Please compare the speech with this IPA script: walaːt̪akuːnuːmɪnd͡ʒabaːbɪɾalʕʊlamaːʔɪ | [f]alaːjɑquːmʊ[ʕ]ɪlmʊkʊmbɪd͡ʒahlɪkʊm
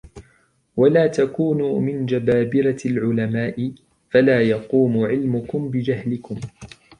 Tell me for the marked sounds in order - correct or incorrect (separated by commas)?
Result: correct, correct